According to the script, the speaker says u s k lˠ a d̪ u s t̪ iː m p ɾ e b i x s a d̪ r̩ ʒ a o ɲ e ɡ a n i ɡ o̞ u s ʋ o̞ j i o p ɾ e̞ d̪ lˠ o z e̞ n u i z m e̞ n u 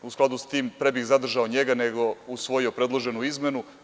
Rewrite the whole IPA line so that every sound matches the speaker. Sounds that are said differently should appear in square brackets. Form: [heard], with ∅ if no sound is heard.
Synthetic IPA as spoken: u s k lˠ a d̪ u s t̪ iː m p ɾ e b i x [z] a d̪ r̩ ʒ a o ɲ e ɡ a n [e] ɡ o̞ u s ʋ o̞ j i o p ɾ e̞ d̪ lˠ o [ʒ] e̞ n u i z m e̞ n u